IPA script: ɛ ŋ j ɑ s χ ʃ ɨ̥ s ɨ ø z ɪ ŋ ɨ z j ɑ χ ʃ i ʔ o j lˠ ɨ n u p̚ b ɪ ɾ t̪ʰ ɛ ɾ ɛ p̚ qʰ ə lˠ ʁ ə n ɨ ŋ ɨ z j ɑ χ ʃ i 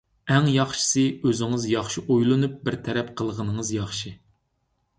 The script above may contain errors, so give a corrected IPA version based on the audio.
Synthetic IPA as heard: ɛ ŋ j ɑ χ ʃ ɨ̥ s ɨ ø z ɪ ŋ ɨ z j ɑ χ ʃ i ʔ o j lˠ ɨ n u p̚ b ɪ ɾ t̪ʰ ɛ ɾ ɛ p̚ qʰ ə lˠ ʁ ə n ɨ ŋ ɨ z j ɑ χ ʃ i